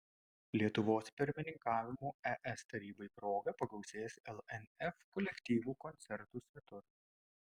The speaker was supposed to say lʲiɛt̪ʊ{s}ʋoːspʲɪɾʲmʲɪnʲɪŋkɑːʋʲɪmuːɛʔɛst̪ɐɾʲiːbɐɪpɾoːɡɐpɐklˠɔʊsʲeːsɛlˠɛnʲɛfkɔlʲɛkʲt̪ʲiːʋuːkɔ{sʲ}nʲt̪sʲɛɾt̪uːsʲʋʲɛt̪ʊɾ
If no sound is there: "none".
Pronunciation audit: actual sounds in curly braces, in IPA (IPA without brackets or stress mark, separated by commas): none, none